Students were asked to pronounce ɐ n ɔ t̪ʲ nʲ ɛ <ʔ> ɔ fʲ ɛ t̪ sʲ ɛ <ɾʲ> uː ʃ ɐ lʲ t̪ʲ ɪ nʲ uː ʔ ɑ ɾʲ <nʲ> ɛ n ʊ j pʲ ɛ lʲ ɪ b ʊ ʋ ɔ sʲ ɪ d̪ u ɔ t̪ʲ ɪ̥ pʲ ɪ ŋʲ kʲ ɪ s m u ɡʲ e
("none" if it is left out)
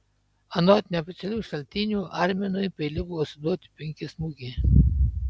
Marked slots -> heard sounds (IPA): none, lʲ, mʲ

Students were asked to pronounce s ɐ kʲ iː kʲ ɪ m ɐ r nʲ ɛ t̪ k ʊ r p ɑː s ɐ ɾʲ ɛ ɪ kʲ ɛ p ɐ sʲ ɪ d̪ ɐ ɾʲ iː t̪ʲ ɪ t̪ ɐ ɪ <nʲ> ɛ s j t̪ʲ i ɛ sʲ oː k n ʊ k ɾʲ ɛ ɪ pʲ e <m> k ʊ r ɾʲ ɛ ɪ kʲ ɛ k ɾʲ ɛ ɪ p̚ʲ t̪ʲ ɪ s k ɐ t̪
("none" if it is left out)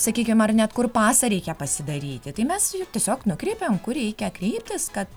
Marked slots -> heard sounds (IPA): mʲ, m

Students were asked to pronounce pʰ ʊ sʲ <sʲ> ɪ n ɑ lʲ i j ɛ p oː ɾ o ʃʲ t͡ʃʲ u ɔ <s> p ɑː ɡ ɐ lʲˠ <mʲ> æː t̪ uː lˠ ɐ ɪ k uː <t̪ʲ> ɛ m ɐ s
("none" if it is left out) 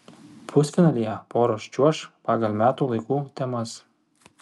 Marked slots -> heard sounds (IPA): fʲ, ʃ, mʲ, t̪ʲ

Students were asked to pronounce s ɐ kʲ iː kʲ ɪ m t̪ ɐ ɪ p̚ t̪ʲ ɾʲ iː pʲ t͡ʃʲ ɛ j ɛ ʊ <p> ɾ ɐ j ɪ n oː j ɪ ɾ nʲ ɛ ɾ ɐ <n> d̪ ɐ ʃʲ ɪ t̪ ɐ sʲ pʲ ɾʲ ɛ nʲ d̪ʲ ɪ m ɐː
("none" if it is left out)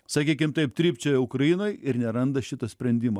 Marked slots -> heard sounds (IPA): k, n

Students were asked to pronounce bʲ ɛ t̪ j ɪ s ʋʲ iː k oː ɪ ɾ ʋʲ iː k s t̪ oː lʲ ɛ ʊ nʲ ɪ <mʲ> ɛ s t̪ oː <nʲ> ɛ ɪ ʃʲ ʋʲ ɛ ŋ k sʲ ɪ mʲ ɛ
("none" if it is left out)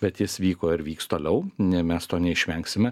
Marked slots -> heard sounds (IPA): mʲ, nʲ

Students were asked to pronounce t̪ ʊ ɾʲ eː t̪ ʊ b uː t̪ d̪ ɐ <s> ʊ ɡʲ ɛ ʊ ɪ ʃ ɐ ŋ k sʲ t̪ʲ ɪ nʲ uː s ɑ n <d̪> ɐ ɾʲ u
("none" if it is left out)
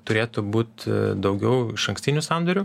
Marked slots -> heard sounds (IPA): none, d̪

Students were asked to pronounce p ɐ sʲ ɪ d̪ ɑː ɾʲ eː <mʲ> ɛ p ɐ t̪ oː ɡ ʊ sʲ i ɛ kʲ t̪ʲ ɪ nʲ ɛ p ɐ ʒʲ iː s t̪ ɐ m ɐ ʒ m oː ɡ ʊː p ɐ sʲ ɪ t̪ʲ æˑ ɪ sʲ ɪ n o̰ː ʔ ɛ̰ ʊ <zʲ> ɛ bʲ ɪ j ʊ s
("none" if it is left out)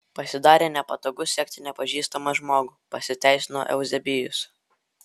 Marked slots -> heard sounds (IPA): nʲ, zʲ

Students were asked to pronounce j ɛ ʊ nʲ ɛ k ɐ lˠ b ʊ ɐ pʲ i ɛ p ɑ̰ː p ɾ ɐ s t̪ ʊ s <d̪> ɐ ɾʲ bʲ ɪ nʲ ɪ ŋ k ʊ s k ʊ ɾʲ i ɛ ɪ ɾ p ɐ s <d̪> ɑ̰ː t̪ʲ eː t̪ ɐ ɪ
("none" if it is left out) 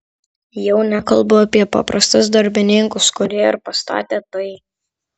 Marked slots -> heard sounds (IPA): d̪, t̪

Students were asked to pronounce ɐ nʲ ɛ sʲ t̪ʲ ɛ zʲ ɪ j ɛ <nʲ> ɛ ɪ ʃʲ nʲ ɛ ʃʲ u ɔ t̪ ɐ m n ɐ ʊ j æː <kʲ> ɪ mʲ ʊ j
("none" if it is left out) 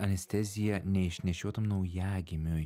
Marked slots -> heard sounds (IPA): nʲ, ɡʲ

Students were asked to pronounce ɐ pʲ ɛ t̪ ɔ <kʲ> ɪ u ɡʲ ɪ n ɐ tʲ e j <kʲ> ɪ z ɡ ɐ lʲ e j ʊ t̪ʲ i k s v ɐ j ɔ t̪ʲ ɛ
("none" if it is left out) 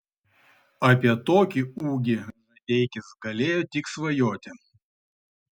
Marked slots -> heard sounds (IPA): kʲ, kʲ

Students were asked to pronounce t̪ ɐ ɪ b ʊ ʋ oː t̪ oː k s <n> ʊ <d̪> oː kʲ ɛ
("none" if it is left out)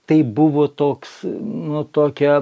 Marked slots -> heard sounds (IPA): n, t̪

